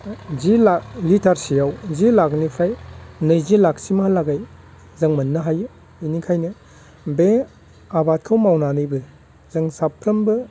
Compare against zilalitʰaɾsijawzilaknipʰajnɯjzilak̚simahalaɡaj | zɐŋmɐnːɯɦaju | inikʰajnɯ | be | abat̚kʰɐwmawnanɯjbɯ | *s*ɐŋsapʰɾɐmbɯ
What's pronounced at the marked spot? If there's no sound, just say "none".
z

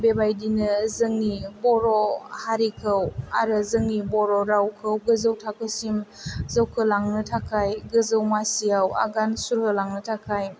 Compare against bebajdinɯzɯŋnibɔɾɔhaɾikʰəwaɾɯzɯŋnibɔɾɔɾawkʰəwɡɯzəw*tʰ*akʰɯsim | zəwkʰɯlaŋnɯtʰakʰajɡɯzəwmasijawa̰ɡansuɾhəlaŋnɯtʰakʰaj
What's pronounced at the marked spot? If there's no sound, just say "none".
tʰ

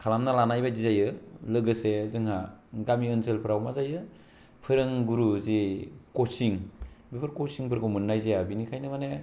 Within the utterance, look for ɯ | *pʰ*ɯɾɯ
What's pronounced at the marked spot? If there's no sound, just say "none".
pʰ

